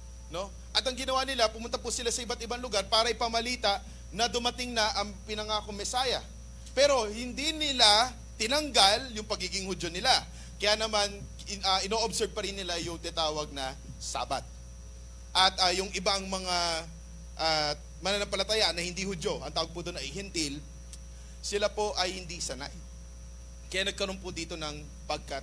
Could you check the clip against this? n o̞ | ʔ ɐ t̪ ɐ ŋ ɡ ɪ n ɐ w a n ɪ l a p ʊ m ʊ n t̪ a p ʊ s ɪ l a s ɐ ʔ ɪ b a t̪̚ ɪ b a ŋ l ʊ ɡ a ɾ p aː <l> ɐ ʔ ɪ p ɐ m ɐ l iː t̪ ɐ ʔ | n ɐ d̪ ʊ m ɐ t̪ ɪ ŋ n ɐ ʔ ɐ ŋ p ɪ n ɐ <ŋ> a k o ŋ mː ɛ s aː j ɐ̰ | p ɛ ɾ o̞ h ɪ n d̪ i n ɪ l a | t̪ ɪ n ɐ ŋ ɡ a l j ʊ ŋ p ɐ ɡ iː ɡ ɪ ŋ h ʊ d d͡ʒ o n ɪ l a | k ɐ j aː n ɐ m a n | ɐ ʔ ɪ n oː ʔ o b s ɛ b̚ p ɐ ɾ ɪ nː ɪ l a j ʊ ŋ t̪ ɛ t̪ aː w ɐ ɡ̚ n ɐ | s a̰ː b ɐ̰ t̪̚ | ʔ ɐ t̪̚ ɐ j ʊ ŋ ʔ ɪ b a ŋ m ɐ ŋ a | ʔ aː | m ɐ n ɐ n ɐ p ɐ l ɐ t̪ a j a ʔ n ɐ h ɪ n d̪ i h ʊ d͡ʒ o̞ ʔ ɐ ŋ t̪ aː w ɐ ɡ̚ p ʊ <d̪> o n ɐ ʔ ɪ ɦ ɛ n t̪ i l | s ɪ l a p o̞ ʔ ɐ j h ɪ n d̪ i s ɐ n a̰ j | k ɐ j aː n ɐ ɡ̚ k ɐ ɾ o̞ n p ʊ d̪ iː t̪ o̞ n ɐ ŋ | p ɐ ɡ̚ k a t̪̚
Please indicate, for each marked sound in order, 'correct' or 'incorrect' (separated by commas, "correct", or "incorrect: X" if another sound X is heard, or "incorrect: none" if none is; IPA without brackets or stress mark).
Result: incorrect: ɾ, correct, correct